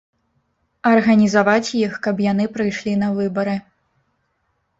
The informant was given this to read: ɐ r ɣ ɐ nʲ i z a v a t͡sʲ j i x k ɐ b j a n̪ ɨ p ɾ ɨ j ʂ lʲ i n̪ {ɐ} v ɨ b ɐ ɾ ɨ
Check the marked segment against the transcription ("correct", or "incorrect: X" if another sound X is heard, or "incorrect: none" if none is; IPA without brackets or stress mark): correct